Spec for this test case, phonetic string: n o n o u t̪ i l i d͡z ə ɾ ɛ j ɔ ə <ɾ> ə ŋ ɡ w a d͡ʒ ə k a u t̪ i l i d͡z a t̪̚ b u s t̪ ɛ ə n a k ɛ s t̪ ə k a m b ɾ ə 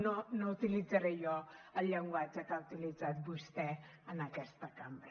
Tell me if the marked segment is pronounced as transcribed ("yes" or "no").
no